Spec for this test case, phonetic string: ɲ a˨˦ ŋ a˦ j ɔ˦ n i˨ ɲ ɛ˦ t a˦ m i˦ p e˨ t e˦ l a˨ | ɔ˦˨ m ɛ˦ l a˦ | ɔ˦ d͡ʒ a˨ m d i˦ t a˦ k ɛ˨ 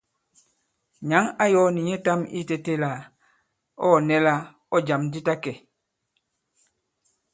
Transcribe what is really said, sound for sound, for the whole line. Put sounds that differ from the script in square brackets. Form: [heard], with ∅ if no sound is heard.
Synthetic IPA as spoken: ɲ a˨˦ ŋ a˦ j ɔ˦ n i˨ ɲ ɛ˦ t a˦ m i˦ [t] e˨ t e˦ l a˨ | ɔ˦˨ [n] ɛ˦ l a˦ | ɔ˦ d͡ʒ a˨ m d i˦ t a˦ k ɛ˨